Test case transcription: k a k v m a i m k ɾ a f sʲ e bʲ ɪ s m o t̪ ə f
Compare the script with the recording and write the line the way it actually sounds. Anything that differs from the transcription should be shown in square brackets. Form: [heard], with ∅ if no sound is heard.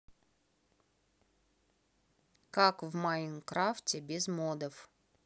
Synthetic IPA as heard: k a k v m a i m k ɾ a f [tʲ] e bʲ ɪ [z] m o [d̪] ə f

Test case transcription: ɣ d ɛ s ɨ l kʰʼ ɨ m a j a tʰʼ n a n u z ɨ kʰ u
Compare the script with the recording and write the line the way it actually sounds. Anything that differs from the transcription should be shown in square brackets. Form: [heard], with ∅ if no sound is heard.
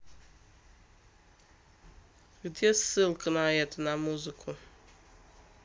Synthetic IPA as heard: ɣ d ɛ s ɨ l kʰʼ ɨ [n] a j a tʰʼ n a [m] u z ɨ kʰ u

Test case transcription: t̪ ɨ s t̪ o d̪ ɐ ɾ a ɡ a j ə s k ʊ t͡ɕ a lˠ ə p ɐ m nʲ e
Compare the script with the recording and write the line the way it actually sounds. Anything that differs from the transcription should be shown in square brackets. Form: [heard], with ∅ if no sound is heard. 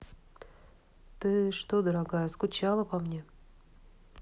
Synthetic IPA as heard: t̪ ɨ [ʂ] t̪ o d̪ [ə] ɾ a ɡ a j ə s k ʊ t͡ɕ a lˠ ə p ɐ m nʲ e

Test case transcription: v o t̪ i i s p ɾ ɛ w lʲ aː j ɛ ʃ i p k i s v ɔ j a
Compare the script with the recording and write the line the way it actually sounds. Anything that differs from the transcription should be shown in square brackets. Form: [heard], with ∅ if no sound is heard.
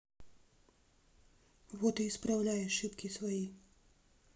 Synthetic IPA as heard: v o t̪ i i s p ɾ [a] w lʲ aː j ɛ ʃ i p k i s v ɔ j [i]

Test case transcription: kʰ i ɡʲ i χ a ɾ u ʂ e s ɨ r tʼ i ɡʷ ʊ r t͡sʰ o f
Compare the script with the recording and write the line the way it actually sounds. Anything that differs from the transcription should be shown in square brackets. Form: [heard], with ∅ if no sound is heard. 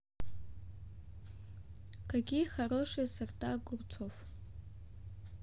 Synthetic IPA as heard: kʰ [a] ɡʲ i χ a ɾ [o] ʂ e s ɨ r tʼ [a] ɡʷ ʊ r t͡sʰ o f

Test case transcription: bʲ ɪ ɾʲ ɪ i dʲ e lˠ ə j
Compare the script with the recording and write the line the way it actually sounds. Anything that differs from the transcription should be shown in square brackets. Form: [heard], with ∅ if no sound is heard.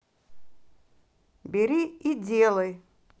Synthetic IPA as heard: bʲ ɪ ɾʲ [i] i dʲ e lˠ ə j

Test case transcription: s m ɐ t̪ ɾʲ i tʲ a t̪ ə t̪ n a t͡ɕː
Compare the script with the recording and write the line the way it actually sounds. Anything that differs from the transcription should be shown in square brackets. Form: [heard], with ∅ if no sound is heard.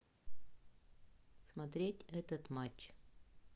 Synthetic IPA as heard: s m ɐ t̪ ɾʲ [e] tʲ [ɛ] t̪ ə t̪ [m] a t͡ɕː

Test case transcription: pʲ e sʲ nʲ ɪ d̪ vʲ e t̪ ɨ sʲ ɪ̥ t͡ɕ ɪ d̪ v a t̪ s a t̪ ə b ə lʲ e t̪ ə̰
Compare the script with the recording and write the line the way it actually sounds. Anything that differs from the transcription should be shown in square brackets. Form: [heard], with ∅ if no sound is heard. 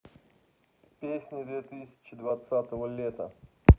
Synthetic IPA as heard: pʲ e sʲ nʲ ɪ d̪ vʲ e t̪ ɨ sʲ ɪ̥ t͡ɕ ɪ d̪ v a t̪ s a t̪ ə [v] ə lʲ e t̪ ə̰

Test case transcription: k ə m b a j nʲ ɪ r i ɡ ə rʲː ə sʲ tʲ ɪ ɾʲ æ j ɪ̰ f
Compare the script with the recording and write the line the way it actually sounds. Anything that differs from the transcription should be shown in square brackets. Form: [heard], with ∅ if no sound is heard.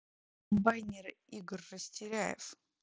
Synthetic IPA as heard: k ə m b a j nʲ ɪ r i ɡ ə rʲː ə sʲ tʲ ɪ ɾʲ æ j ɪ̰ f

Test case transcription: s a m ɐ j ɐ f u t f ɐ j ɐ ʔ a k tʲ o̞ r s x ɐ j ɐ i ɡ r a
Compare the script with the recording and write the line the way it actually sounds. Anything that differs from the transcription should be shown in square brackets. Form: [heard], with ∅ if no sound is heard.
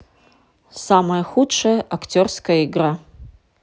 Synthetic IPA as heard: s a m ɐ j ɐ [x] u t [ʂ] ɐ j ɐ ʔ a k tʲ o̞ r s [k] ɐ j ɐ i ɡ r a

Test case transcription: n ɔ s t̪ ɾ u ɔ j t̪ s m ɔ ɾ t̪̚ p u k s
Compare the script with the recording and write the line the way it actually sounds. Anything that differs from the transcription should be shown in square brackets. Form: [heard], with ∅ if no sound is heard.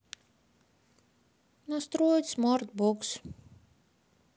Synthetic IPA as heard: n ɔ s t̪ ɾ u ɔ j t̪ s m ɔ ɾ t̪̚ [b] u k s

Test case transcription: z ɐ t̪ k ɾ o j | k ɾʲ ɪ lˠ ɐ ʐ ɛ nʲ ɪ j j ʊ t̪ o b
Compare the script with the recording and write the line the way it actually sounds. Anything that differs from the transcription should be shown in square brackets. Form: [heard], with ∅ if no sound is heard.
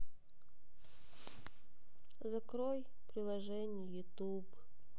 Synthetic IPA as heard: z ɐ [∅] k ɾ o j | [p] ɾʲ ɪ lˠ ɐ ʐ ɛ nʲ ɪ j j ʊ t̪ [u] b

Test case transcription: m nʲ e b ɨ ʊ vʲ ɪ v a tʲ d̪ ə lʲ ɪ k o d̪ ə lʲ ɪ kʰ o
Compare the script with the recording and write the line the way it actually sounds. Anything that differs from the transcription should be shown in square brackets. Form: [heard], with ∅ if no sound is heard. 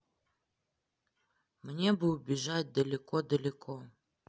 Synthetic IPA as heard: m nʲ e b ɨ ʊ [bʲ] ɪ [ʐ] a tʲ d̪ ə lʲ ɪ k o d̪ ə lʲ ɪ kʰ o

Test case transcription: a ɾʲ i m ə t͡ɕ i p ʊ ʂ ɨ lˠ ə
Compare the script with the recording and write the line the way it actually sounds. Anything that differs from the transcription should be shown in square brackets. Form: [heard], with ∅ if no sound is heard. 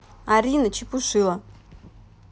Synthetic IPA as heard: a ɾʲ i [n] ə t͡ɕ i p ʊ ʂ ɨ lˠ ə

